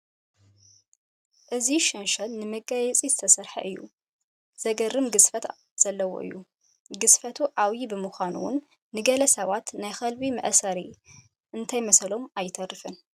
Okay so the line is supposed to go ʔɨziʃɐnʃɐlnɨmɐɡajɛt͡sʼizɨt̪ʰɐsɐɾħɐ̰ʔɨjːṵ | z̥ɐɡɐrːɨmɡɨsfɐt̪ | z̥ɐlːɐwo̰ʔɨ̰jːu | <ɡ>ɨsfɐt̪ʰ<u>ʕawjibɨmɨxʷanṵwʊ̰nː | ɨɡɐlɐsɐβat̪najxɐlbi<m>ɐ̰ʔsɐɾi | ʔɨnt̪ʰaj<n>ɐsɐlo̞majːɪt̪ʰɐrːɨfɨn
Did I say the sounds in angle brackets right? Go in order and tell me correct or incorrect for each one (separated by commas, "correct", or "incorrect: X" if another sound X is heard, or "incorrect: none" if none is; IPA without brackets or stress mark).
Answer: correct, correct, correct, incorrect: m